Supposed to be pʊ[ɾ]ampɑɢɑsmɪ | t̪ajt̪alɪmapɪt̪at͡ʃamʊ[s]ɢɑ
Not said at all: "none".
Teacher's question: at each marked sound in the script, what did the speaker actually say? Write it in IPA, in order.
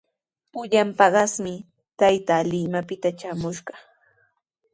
ʎ, ʃ

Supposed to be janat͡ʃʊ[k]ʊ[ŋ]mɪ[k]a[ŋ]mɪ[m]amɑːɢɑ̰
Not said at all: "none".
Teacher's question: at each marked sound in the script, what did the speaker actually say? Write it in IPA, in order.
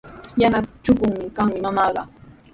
k, ŋ, k, ŋ, m

